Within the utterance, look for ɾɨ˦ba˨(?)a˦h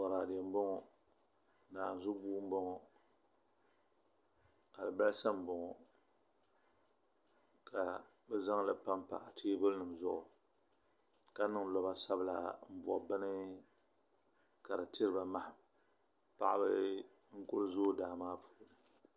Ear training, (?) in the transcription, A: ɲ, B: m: B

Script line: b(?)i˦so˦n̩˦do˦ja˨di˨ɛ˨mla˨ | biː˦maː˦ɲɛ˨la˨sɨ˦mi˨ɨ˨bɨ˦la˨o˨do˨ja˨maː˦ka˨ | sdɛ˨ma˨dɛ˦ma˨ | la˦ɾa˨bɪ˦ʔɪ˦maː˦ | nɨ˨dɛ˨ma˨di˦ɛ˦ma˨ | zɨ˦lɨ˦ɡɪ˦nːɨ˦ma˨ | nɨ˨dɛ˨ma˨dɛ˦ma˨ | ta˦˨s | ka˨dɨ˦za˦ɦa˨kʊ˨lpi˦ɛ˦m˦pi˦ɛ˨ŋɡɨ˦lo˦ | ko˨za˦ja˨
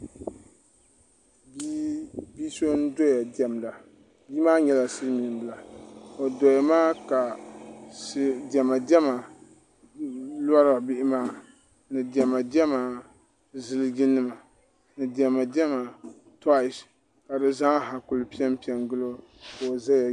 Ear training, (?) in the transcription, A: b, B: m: A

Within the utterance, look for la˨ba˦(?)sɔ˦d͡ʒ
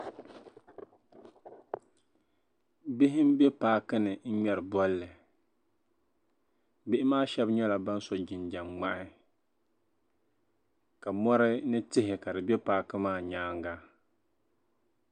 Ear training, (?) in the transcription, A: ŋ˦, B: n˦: B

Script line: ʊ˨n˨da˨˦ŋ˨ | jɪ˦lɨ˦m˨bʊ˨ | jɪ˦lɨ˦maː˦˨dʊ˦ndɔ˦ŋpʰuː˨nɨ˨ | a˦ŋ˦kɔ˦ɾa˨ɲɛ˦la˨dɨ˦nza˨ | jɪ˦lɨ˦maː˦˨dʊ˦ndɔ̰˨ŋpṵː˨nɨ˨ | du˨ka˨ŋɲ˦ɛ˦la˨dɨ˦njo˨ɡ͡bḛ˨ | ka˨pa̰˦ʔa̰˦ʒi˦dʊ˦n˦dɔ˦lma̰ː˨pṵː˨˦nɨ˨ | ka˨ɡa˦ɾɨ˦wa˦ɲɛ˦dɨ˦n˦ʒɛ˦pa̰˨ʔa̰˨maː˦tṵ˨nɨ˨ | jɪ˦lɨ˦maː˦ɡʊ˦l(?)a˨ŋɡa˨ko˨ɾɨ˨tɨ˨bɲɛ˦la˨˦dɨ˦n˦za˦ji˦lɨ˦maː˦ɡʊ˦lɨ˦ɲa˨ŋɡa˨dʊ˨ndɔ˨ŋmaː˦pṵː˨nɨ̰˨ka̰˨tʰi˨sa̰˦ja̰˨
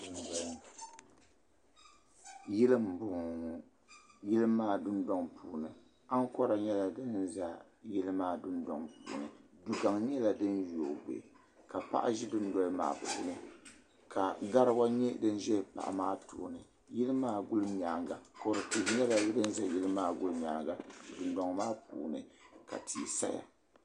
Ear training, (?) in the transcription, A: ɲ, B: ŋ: A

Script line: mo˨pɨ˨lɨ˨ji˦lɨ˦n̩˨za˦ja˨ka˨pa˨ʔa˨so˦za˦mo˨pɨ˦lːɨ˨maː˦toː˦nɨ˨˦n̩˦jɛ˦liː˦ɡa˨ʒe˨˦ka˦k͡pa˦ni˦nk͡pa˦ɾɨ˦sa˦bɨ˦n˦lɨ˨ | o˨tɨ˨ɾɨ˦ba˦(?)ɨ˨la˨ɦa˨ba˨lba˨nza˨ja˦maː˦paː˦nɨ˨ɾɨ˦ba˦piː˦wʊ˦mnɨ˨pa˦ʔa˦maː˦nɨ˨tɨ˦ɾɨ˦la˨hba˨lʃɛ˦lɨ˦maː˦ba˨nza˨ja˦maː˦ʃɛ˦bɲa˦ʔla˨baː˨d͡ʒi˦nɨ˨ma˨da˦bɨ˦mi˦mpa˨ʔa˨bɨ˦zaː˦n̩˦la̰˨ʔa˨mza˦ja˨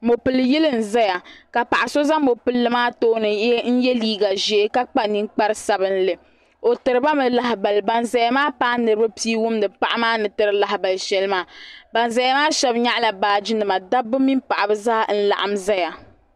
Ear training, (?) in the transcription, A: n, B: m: B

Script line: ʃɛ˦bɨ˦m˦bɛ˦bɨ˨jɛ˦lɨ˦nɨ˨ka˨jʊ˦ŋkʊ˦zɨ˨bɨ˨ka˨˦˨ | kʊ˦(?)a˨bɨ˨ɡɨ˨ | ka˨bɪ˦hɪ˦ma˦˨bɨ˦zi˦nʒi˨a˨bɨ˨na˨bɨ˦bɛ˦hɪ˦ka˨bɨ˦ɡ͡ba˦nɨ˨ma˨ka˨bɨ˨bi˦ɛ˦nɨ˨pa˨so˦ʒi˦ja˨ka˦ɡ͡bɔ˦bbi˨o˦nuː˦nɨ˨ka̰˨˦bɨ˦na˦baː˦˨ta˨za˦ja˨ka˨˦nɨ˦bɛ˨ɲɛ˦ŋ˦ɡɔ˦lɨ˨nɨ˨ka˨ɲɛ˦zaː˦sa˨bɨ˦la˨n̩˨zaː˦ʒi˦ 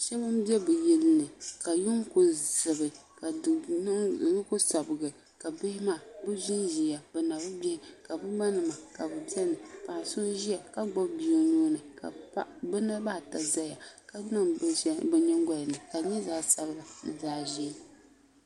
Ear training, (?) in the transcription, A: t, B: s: B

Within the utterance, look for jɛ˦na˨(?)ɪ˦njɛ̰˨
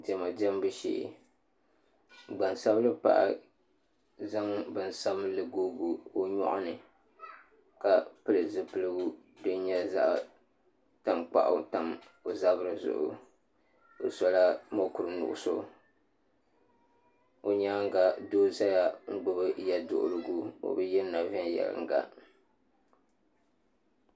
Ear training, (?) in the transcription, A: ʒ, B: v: B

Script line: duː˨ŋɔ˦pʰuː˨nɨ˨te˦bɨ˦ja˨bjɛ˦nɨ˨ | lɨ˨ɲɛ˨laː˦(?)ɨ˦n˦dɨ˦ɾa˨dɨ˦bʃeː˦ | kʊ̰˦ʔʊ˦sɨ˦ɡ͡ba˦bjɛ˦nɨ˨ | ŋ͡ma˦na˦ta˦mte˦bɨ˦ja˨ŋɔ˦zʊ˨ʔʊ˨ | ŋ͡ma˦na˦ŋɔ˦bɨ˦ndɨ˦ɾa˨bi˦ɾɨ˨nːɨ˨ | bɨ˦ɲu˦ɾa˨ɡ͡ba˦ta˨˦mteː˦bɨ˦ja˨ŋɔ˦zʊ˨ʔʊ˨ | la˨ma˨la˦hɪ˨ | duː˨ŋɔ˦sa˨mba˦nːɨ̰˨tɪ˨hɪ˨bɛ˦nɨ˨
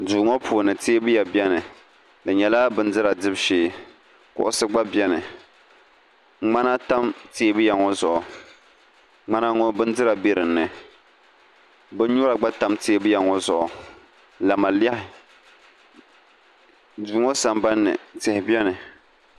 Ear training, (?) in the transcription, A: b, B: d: A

